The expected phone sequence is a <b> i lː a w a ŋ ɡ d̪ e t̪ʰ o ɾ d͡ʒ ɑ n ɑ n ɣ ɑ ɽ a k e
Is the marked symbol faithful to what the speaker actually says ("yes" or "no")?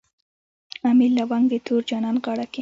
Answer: no